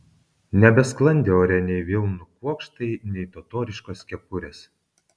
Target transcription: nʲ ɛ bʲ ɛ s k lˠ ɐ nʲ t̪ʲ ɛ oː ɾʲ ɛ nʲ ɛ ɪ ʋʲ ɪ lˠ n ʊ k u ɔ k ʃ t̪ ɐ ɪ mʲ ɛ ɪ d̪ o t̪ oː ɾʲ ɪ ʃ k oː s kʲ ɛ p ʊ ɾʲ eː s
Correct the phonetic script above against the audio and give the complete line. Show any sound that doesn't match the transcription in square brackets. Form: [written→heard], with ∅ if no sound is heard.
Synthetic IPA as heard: nʲ ɛ bʲ ɛ s k lˠ ɐ nʲ [t̪ʲ→d̪ʲ] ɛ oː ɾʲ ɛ nʲ ɛ ɪ ʋʲ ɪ lˠ n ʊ k u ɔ k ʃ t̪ ɐ ɪ [mʲ→nʲ] ɛ ɪ [d̪→t̪] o t̪ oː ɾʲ ɪ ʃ k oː s kʲ ɛ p ʊ ɾʲ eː s